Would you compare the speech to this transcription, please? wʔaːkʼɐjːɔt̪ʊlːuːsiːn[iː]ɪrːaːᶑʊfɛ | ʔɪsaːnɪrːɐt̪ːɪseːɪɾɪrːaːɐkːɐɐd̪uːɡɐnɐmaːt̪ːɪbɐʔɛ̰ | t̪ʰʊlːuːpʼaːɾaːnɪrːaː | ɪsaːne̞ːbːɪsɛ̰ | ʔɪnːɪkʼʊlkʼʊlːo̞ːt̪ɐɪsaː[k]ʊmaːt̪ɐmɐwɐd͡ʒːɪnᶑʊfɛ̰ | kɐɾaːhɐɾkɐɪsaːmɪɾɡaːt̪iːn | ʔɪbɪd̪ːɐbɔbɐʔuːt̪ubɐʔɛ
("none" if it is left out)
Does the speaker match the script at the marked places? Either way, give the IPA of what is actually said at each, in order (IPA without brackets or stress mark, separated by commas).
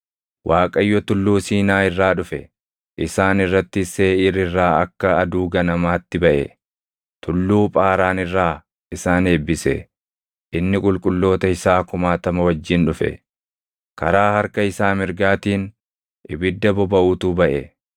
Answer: aː, k